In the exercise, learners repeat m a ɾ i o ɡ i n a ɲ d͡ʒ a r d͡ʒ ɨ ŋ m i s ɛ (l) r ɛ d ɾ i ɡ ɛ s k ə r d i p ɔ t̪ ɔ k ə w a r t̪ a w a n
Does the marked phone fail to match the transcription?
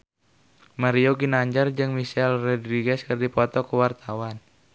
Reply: no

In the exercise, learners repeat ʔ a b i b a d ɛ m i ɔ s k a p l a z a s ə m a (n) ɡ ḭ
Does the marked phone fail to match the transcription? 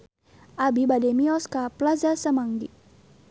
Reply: yes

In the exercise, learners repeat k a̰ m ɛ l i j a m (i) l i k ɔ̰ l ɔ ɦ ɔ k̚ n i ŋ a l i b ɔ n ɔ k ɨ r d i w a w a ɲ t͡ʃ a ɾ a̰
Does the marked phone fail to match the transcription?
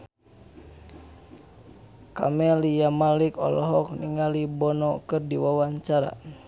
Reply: yes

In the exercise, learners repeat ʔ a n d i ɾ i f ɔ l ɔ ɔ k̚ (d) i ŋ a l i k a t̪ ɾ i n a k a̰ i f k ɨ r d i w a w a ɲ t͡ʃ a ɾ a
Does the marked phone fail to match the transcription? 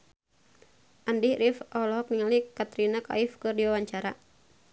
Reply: yes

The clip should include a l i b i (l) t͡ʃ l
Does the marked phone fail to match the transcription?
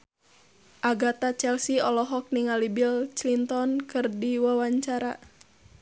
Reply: no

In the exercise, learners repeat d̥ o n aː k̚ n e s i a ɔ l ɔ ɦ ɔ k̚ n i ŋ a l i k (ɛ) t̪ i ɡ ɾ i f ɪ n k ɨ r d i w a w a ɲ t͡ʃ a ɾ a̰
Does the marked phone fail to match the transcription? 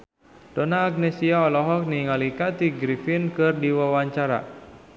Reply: yes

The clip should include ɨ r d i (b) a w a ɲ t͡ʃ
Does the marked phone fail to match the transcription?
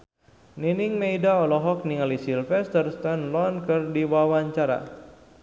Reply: yes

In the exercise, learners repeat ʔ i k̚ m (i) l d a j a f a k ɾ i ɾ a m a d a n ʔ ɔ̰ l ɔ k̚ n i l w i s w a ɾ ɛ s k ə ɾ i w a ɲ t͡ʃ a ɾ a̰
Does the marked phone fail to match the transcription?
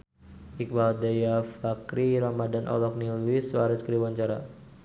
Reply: yes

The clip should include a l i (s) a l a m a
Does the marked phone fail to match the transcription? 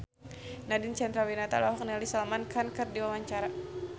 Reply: no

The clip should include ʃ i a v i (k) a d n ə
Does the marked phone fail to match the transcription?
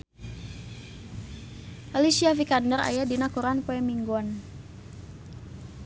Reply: no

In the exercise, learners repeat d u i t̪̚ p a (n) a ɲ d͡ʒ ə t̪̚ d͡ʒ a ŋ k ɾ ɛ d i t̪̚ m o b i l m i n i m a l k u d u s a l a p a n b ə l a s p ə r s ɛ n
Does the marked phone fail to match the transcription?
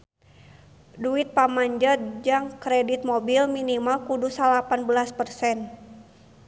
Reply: yes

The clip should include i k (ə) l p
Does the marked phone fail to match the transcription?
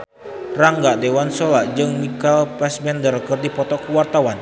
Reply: yes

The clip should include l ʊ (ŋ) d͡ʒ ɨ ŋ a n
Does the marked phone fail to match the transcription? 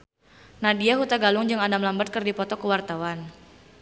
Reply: no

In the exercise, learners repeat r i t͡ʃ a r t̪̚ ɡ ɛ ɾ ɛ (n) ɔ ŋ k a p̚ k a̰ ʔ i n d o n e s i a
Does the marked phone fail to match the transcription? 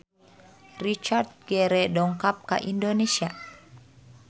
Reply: yes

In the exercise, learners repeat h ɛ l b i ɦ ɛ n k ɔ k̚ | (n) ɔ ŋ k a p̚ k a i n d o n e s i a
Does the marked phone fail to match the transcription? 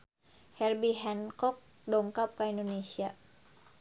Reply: yes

